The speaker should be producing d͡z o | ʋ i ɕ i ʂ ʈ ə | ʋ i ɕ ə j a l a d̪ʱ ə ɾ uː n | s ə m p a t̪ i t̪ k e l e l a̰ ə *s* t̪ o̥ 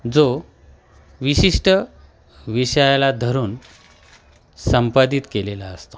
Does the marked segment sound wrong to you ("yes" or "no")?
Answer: no